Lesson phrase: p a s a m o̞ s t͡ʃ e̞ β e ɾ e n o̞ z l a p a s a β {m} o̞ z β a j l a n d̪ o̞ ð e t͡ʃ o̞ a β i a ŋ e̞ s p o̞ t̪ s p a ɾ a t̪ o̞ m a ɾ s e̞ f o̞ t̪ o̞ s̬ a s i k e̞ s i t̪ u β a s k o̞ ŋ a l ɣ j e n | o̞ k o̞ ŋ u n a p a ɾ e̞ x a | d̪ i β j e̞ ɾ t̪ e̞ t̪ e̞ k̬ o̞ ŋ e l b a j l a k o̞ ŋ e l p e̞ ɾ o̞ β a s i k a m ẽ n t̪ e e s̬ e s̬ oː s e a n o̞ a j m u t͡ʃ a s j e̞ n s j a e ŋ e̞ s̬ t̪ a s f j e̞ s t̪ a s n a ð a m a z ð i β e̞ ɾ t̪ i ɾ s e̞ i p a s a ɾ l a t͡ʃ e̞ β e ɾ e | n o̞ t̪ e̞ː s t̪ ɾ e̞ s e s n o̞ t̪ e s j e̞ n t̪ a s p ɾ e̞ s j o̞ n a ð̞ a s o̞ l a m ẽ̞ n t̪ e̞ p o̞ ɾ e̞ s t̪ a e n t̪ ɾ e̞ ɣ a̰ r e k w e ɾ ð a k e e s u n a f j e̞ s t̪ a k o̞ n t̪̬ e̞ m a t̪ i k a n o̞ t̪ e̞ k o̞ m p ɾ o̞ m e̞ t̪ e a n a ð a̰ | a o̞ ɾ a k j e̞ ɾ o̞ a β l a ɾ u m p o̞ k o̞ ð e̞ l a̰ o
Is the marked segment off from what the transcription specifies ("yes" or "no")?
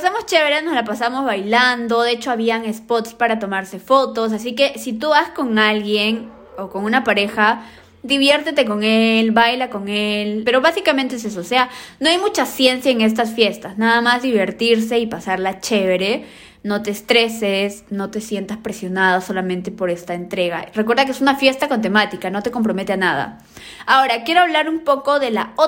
no